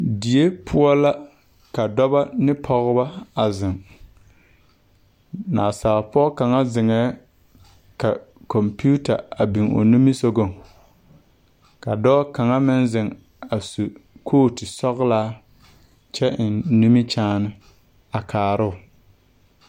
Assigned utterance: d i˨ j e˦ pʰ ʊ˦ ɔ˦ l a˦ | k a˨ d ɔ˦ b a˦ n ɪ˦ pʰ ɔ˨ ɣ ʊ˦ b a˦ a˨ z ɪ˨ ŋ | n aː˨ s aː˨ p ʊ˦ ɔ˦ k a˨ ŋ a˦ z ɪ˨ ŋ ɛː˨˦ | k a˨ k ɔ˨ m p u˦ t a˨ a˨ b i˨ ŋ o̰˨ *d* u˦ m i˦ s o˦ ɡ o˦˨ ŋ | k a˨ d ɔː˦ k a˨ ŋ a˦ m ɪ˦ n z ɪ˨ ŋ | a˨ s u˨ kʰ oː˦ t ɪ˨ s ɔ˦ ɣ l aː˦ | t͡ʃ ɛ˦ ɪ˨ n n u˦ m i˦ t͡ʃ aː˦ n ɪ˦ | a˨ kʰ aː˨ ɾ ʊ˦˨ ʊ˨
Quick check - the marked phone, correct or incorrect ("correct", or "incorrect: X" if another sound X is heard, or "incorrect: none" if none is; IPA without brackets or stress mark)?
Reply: incorrect: n